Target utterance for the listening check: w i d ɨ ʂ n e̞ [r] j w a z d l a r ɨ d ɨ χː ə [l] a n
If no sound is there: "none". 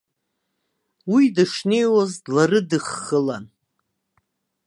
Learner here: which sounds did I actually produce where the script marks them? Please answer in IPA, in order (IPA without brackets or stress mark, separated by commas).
none, l